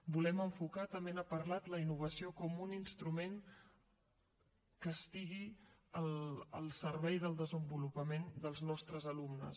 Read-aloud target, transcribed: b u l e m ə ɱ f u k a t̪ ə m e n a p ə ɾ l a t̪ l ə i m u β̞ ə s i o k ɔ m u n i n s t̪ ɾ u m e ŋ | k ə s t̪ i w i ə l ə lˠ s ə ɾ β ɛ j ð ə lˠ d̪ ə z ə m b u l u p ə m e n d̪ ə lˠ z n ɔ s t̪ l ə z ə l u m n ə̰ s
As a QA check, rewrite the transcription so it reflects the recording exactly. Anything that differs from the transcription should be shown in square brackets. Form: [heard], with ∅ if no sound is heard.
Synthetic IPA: b u l [ɛ] m ə ɱ f u k a t̪ ə m e n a p ə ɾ l a t̪ l ə i [n] u β̞ ə s i o k ɔ m u n i n s t̪ ɾ u m e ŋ | k ə s t̪ i [ɣ] i ə l ə lˠ s ə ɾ β ɛ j ð ə lˠ d̪ ə z ə m b u l u p ə m e n d̪ ə lˠ z n ɔ s t̪ [ɾ] ə z ə l u m n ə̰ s